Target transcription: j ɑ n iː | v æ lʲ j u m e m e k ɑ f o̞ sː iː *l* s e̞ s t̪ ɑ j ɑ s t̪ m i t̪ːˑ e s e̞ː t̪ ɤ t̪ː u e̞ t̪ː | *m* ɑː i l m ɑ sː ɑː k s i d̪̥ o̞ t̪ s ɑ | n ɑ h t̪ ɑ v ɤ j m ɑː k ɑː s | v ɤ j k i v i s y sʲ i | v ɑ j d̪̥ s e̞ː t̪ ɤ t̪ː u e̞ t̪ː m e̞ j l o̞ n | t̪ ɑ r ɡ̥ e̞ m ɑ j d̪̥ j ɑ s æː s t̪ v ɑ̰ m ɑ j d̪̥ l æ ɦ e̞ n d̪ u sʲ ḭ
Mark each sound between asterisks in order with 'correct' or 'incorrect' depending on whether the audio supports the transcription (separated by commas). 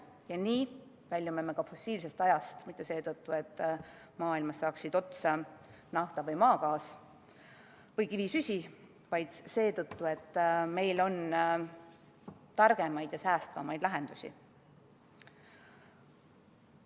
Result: correct, correct